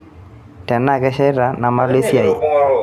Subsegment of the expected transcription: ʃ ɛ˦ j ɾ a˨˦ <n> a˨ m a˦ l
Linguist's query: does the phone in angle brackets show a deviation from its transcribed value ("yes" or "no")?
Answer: no